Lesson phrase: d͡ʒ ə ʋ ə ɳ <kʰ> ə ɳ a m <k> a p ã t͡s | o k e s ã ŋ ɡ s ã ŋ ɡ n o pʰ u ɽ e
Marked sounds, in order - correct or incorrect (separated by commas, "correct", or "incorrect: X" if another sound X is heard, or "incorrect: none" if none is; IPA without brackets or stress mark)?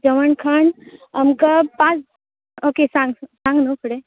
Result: correct, correct